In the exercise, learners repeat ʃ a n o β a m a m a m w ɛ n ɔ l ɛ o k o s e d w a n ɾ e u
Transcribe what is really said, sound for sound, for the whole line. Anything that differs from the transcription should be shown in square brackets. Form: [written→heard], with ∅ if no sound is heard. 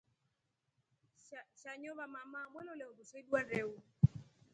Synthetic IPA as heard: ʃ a [n→ɲ] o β a m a m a m w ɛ n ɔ l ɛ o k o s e d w a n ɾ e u